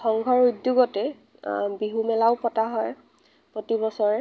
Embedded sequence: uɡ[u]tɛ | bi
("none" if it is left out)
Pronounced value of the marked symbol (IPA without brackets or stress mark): ɔ